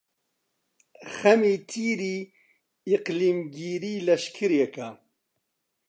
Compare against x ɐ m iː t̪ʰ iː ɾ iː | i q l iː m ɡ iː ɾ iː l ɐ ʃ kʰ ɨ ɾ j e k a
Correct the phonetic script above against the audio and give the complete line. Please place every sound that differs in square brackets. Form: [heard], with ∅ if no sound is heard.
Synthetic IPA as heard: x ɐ m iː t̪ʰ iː ɾ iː | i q l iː m ɡ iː ɾ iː l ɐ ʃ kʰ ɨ ɾ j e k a